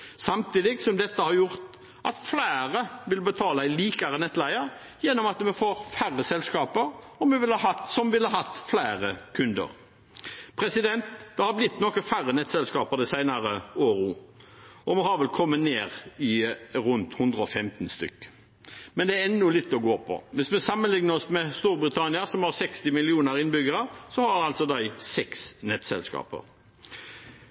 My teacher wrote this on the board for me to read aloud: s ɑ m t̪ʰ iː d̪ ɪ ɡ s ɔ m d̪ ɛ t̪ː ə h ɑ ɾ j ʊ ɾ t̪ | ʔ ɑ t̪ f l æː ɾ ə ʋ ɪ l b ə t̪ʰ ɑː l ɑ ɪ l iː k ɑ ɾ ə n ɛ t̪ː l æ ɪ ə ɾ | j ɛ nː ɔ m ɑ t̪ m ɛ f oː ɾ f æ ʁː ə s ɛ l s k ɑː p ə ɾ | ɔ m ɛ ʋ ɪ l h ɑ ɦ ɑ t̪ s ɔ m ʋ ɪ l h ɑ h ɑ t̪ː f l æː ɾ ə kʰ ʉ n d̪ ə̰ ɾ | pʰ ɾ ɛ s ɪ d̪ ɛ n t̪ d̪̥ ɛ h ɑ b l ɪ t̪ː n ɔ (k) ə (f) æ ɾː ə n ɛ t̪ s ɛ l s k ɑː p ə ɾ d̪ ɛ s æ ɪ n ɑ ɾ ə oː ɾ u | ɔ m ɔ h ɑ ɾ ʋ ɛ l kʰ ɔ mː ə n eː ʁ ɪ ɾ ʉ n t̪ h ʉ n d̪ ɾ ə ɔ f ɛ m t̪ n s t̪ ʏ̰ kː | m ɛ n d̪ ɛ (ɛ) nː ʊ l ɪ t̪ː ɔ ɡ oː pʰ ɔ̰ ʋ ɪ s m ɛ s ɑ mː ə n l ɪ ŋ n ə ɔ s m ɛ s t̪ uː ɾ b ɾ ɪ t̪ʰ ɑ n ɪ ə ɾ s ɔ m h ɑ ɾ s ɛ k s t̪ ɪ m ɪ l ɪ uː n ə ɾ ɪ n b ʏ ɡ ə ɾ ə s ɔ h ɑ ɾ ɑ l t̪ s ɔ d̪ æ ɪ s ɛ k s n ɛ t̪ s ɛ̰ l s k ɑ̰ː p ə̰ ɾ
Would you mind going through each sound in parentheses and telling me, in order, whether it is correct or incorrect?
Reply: correct, correct, correct

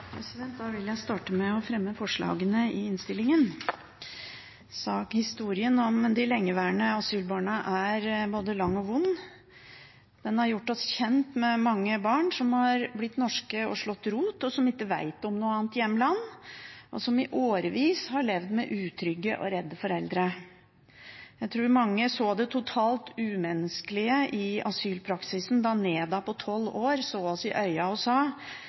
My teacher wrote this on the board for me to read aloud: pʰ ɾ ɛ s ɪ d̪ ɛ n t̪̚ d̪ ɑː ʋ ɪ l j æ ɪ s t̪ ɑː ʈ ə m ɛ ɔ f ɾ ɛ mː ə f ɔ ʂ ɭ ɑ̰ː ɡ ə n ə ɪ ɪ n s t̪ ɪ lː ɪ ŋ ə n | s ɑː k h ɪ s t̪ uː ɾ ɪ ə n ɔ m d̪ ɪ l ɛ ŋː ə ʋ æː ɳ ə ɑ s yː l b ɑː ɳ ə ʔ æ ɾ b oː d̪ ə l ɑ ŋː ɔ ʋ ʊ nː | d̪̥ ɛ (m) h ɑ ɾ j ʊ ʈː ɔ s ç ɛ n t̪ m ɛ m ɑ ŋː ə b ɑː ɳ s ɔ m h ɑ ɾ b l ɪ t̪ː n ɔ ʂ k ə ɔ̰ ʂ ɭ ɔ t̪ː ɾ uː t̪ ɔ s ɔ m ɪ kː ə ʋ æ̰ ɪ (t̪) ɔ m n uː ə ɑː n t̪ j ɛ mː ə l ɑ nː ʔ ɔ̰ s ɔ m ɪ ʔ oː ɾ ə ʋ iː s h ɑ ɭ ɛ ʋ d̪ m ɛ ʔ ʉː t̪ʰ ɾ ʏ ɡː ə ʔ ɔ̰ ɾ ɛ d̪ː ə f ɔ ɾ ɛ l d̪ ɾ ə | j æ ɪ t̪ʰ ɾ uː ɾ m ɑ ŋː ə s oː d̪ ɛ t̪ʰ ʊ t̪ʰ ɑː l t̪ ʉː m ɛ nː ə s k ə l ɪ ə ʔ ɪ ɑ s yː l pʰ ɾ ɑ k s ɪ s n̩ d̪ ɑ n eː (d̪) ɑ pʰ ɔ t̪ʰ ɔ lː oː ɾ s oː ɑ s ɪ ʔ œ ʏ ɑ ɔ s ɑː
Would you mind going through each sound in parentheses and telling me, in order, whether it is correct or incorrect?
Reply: incorrect: n, correct, correct

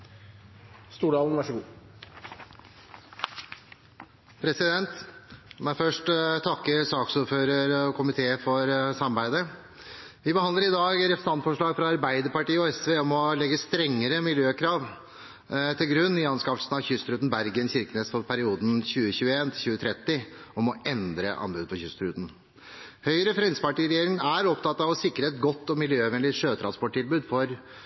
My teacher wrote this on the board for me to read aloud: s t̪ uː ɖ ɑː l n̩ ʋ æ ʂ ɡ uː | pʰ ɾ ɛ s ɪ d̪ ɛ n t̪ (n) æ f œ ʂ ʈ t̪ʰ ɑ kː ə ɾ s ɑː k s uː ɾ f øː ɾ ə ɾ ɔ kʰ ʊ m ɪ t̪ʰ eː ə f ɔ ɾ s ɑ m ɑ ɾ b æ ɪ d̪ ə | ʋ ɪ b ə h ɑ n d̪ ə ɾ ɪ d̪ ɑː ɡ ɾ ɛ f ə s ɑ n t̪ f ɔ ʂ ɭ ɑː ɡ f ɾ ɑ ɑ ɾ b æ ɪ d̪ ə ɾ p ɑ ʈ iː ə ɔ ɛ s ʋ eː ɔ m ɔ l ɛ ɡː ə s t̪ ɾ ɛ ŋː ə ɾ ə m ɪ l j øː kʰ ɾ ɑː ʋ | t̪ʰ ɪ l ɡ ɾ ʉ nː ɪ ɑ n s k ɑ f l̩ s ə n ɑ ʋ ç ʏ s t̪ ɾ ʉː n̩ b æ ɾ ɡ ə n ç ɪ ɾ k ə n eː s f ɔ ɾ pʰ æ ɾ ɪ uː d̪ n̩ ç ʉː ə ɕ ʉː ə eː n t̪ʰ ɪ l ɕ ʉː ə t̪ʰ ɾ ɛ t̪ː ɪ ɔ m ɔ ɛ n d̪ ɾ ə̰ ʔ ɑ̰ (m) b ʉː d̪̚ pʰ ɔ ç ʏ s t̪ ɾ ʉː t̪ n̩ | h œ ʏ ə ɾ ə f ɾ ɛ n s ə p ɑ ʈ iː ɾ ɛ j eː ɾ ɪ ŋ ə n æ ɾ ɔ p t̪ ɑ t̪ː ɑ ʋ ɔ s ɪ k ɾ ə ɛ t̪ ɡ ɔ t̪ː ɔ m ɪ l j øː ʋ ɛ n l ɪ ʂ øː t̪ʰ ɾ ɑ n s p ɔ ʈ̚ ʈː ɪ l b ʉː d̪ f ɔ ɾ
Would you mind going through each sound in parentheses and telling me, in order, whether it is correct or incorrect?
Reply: incorrect: m, incorrect: n

